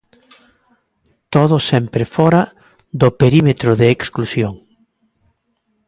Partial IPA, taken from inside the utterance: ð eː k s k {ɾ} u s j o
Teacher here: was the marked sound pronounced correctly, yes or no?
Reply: no